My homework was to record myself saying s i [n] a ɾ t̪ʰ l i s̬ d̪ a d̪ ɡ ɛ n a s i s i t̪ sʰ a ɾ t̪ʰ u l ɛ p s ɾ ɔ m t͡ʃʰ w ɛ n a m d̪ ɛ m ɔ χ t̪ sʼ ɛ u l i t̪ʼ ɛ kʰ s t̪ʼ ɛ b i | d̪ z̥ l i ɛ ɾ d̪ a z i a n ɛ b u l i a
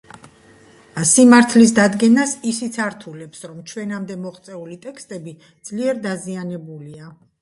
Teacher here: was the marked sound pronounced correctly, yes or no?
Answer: no